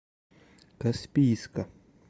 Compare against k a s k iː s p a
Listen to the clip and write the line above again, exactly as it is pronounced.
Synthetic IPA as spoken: k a s p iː s k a